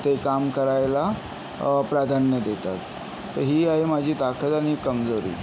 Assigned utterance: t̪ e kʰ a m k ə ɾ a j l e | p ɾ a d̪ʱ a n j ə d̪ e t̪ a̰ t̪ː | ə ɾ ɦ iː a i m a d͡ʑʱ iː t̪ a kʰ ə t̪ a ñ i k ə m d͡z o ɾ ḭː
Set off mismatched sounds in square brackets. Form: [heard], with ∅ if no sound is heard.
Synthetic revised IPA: t̪ e [k] a m k ə ɾ a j l [a] | p ɾ a d̪ʱ a n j ə d̪ e t̪ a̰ t̪ː | ə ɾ ɦ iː a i m a d͡ʑʱ iː t̪ a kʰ ə t̪ a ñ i k ə m d͡z o ɾ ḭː